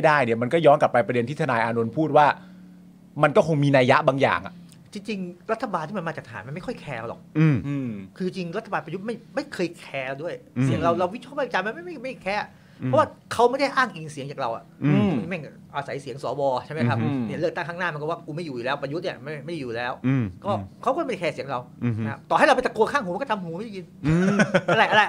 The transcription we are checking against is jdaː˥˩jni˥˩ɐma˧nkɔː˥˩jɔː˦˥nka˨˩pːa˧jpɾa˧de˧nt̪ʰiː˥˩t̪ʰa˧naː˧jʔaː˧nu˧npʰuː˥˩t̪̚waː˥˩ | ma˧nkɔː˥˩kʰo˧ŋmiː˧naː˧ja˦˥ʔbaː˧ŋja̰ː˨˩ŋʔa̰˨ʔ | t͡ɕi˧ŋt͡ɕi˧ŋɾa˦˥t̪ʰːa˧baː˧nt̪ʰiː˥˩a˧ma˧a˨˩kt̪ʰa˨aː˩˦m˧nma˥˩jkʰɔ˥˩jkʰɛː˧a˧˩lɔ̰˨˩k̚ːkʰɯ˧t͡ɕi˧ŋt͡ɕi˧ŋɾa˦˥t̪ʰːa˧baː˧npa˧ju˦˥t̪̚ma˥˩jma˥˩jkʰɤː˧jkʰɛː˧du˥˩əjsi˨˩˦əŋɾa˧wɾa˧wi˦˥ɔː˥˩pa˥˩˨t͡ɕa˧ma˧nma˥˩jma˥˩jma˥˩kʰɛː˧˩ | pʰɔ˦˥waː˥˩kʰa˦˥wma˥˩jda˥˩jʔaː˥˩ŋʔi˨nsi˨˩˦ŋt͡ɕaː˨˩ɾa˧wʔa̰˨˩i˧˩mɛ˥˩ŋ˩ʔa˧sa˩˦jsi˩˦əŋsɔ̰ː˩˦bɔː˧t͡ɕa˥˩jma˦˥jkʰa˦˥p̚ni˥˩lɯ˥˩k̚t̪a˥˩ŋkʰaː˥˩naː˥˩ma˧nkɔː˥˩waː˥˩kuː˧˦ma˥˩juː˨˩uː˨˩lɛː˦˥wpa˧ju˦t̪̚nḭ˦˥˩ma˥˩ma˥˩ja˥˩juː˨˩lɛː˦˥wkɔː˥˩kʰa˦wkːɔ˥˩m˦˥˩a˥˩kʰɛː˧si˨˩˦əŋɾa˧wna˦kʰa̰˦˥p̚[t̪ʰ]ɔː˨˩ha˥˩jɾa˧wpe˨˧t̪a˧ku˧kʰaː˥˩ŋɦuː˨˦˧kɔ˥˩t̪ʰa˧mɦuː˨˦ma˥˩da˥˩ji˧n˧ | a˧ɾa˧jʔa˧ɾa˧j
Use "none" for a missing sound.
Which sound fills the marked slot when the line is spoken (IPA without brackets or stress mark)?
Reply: t̪